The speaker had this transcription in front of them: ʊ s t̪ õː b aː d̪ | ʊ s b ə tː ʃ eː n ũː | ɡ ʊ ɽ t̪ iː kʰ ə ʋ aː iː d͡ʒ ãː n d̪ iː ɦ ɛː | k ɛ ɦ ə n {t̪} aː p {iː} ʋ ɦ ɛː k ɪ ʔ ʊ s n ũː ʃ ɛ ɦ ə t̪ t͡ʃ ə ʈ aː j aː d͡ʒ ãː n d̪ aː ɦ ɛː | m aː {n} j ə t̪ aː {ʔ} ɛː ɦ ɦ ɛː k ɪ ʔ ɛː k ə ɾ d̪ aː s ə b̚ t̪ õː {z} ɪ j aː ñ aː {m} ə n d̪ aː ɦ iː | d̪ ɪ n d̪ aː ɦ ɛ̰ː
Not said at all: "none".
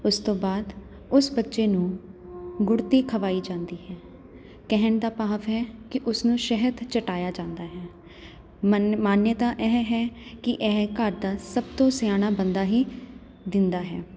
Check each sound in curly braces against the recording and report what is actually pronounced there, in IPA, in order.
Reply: d̪, aː, n, ʔ, s, b

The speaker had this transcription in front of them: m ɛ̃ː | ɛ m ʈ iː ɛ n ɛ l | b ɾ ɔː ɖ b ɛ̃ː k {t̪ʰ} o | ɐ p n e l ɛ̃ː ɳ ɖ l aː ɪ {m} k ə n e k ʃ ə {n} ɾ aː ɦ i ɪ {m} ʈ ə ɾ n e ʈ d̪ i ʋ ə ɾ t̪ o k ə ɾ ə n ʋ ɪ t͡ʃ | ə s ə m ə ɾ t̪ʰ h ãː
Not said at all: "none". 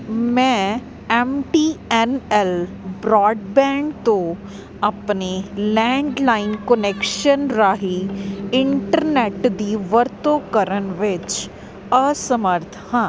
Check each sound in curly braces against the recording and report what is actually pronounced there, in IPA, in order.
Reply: t̪, n, n, ɳ

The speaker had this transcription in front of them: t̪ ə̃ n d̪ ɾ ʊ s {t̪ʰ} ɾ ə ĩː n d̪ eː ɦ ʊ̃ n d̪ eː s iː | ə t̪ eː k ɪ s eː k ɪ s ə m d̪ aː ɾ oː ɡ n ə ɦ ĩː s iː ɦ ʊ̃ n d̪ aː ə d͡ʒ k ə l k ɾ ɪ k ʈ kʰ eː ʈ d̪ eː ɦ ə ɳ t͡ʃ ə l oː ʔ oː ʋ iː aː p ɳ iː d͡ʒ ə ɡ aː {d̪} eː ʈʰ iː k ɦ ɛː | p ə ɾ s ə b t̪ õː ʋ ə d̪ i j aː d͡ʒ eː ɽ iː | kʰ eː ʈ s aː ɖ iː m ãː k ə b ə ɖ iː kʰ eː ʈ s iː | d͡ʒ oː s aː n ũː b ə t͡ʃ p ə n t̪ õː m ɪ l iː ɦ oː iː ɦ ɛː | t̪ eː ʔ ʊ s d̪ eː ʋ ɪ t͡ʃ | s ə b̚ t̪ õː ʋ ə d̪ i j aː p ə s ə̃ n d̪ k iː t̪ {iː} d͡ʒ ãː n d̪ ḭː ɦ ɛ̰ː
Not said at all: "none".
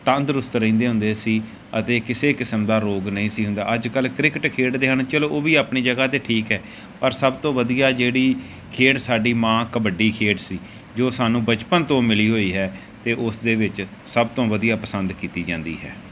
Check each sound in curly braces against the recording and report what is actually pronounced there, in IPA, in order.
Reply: t̪, t̪, iː

